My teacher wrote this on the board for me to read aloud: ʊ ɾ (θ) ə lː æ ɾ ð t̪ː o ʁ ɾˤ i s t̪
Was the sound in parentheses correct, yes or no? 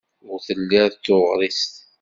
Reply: yes